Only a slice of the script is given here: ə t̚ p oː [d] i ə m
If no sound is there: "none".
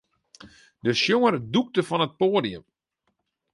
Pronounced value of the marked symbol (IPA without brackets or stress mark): d